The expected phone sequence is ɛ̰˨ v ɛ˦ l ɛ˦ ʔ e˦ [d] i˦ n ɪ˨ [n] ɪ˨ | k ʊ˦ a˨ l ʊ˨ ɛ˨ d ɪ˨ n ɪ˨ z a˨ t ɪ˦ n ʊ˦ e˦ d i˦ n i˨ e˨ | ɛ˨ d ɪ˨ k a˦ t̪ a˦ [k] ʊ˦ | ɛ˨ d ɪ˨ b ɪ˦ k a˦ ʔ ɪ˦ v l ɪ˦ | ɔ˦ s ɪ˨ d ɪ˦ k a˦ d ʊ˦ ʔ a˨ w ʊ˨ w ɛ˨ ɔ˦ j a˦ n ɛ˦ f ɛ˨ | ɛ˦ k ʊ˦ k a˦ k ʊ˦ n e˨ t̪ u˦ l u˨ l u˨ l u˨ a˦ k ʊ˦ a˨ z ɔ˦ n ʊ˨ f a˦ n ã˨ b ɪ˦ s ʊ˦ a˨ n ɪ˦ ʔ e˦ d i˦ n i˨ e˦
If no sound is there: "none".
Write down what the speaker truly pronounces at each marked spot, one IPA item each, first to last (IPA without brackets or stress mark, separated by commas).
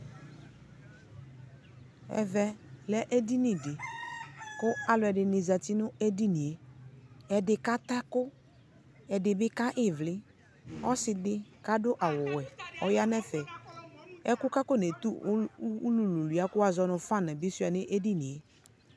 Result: d, d, k